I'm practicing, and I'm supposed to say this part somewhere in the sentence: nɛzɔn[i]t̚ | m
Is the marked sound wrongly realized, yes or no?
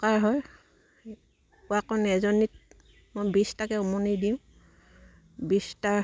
no